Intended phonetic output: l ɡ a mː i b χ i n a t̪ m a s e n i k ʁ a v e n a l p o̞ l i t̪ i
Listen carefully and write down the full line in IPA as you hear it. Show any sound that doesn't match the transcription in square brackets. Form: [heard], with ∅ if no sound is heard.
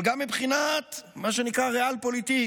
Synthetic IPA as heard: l ɡ a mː i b χ i n a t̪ m a [ʃ] e n i k ʁ a [ʁ] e [∅] a l p o̞ l i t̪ i